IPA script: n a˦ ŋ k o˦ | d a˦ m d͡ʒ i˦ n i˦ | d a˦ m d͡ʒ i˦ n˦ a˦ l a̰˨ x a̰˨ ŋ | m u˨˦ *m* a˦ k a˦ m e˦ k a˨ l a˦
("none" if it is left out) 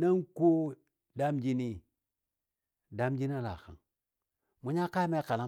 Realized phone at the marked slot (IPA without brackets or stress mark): ɲ